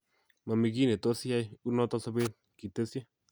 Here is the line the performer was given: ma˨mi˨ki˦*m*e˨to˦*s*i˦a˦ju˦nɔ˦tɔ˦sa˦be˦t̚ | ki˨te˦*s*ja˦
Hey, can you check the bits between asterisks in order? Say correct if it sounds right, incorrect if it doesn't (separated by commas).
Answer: incorrect, correct, correct